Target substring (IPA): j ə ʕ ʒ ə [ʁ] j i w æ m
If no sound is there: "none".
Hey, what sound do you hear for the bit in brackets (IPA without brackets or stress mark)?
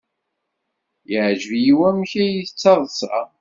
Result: v